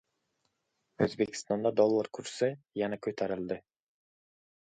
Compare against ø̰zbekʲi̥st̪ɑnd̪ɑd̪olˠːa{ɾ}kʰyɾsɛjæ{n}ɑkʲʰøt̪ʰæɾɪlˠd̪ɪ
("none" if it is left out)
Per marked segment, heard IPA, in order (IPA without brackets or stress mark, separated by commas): ɾ, n